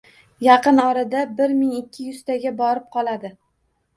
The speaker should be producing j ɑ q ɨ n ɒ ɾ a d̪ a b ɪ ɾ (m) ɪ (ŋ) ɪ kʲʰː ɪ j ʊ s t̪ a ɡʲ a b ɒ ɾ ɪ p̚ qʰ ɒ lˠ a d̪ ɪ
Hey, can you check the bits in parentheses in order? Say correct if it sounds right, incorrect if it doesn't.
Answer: correct, correct

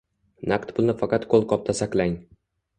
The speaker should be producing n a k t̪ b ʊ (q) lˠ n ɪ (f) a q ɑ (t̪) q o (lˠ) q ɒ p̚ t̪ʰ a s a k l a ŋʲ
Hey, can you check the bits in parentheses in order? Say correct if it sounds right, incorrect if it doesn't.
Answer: incorrect: none, correct, correct, correct

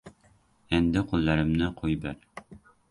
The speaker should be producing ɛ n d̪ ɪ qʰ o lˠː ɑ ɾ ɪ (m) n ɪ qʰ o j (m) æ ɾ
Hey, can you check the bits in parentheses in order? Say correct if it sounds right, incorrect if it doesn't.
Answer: correct, incorrect: b

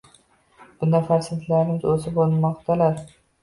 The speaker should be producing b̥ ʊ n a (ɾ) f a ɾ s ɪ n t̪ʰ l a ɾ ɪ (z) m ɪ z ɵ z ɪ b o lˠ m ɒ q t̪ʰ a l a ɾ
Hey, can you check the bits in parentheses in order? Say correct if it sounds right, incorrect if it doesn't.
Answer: incorrect: none, incorrect: none

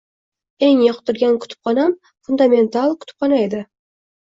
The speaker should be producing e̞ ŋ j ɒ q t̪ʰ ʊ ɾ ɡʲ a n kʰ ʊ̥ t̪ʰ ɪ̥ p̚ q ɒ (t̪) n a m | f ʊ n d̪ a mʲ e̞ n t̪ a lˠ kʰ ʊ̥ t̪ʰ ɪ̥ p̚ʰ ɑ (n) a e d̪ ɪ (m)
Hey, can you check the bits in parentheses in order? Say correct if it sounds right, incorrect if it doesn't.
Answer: incorrect: none, correct, incorrect: none

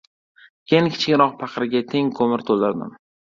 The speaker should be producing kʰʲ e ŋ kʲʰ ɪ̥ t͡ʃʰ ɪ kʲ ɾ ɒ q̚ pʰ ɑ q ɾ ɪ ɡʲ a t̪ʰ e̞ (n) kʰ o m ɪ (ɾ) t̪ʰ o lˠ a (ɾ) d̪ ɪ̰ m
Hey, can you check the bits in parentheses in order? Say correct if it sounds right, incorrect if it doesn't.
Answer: incorrect: ŋ, correct, correct

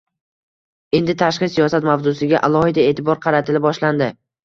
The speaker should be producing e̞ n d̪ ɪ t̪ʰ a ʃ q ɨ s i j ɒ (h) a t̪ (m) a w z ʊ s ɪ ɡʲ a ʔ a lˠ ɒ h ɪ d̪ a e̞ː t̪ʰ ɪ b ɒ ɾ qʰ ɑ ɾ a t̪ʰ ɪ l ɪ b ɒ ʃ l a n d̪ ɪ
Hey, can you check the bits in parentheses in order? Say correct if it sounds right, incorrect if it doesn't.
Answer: incorrect: s, correct

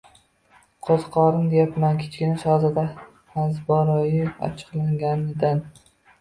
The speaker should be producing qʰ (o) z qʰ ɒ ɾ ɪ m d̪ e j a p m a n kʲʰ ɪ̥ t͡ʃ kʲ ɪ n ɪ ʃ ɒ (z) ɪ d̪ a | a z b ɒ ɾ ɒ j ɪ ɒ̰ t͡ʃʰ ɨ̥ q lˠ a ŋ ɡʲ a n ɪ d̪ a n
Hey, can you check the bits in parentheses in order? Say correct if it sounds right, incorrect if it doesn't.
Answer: correct, correct

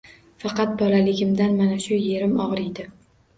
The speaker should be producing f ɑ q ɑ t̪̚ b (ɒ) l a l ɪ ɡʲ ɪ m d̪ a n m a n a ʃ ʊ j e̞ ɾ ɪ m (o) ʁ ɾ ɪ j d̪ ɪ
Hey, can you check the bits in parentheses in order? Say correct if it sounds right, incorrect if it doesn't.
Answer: correct, incorrect: ɒ

